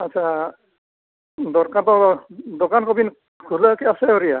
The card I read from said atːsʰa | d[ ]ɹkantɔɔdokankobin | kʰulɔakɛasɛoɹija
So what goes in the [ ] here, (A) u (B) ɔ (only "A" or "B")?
B